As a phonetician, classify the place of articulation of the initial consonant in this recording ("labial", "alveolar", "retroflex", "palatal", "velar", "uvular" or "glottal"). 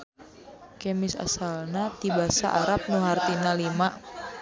velar